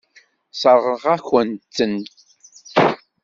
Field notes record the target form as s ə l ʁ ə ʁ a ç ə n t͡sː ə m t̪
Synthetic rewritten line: s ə ɾ ʁ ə ʁ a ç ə n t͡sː ə n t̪